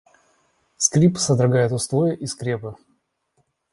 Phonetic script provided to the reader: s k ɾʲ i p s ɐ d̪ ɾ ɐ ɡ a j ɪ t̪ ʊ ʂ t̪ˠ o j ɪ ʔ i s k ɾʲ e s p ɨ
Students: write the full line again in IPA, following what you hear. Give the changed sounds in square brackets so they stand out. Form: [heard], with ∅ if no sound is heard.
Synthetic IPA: s k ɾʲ i p s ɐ d̪ ɾ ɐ ɡ a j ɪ t̪ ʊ [s] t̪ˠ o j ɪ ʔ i s k ɾʲ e [∅] p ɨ